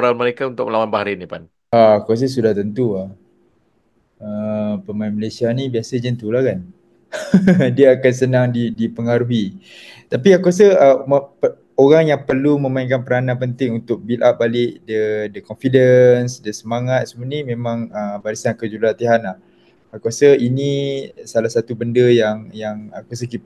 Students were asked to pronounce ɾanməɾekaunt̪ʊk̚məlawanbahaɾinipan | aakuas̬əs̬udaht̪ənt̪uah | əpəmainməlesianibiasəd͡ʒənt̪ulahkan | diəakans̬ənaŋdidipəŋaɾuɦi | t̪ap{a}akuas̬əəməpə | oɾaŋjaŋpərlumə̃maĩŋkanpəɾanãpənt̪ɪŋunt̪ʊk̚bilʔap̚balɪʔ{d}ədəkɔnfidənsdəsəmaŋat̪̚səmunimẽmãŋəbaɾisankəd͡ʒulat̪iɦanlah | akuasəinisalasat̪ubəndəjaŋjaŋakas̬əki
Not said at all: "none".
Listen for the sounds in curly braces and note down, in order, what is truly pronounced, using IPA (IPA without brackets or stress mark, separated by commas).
i, d